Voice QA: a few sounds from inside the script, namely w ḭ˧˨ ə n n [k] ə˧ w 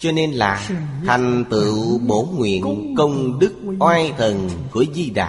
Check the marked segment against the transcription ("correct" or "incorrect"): correct